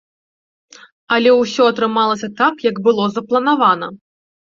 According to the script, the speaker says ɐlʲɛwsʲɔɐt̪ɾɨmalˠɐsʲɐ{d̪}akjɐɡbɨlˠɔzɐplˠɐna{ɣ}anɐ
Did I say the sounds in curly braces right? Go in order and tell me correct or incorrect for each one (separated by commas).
incorrect, incorrect